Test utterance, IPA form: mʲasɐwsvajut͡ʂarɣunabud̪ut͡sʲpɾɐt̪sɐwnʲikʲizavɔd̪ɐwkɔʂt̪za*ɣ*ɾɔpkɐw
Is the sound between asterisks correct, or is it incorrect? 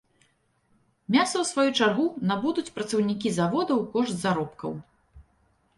incorrect